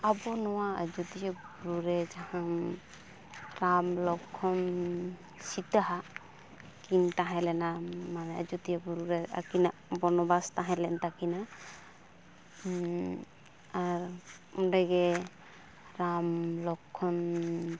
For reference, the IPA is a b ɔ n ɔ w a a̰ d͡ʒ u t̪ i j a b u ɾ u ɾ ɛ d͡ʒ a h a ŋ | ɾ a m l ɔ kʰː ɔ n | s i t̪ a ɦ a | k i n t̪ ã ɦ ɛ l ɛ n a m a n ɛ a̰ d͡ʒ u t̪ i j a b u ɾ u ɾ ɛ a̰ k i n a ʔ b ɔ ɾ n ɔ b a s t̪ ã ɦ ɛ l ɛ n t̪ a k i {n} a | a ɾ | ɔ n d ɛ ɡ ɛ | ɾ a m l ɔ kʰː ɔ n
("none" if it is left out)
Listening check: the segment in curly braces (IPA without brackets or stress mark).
n